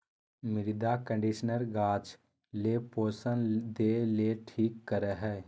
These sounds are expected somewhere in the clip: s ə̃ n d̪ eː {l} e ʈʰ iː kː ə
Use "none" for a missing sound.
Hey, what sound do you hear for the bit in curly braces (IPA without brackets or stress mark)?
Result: l